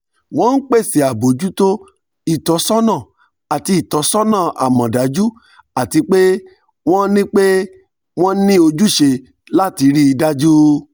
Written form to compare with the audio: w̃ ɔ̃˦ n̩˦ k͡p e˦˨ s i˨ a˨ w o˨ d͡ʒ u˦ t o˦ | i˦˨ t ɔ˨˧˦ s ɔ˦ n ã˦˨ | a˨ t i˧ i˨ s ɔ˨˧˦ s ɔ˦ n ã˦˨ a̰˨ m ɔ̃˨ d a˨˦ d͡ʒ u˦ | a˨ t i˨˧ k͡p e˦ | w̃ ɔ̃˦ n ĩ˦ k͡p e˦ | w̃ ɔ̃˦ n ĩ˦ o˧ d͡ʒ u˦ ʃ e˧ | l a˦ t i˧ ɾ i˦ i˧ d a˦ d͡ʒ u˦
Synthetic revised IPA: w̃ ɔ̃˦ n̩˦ k͡p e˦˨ s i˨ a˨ b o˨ d͡ʒ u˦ t o˦ | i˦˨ t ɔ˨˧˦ s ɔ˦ n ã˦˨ | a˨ t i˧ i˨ t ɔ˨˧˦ s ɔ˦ n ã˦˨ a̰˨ m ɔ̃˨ d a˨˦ d͡ʒ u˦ | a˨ t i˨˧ k͡p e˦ | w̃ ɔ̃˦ n ĩ˦ k͡p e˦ | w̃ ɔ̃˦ n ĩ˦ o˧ d͡ʒ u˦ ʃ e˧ | l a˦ t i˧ ɾ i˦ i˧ d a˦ d͡ʒ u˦